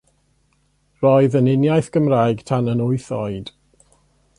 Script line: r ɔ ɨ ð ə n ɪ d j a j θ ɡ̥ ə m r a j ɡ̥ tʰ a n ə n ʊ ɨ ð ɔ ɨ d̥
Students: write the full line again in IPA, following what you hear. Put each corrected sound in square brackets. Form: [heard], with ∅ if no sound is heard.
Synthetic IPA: r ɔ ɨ ð ə n ɪ [n] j a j θ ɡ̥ ə m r a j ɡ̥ tʰ a n ə n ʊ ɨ [θ] ɔ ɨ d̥